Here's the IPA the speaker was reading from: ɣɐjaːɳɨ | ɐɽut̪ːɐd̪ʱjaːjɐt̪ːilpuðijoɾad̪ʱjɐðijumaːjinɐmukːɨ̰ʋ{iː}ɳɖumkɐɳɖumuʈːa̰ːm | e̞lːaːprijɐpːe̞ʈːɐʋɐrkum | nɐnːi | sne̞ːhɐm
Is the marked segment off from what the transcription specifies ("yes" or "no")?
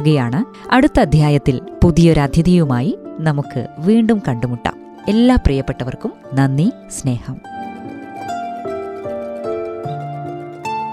no